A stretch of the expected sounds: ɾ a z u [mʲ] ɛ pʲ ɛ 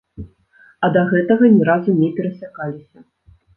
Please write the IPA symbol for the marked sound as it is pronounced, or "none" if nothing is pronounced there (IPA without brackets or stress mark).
nʲ